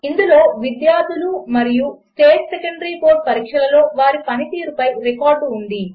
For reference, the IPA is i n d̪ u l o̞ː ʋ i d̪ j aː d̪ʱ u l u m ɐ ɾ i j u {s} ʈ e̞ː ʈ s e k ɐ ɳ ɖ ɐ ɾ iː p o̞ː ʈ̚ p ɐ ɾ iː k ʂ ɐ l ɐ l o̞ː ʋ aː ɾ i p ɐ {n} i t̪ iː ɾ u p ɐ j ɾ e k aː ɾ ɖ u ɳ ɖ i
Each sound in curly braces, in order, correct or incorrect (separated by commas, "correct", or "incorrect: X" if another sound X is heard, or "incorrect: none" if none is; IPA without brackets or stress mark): correct, correct